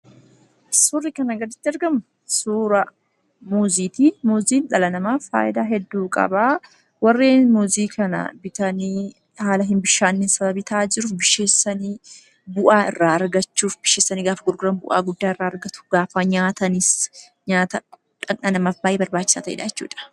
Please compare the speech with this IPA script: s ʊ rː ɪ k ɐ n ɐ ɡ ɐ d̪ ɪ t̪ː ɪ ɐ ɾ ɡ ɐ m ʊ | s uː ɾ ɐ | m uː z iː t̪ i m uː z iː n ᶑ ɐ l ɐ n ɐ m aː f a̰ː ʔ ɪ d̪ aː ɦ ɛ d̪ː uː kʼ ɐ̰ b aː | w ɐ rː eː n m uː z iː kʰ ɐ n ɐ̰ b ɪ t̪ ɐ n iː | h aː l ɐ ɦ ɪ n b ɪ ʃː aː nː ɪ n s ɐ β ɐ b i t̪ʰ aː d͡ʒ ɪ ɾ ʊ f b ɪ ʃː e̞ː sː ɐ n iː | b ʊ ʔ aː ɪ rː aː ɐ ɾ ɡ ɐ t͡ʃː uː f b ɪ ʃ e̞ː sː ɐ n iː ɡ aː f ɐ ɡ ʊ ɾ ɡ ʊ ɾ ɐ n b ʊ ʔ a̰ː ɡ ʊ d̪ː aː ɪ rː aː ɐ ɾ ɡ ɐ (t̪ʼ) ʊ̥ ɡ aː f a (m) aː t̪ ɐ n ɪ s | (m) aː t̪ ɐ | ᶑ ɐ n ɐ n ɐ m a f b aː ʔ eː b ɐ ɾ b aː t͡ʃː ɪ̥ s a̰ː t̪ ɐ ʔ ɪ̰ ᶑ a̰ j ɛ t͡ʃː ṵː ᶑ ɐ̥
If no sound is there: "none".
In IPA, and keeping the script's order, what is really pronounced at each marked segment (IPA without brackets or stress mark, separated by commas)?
t̪, ɲ, ɲ